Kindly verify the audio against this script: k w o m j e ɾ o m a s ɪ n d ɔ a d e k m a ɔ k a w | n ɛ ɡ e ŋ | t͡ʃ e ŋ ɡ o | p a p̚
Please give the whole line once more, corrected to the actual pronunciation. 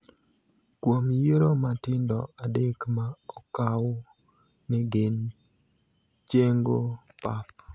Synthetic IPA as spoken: k w o m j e ɾ o m a t ɪ n d ɔ a d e k m a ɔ k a w | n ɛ ɡ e n | t͡ʃ e ŋ ɡ o | p a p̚